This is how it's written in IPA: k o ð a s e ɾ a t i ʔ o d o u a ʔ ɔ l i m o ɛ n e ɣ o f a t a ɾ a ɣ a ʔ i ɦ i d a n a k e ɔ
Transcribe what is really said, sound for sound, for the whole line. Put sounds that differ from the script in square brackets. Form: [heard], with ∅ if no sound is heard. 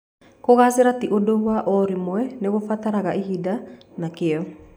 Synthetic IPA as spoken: k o [ɣ] a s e ɾ a t i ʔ o d o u a ʔ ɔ [ɾ] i m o ɛ n e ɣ o f a t a ɾ a ɣ a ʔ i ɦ i d a n a k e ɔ